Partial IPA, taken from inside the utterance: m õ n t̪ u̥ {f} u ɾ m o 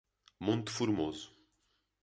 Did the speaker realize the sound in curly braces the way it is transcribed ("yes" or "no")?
yes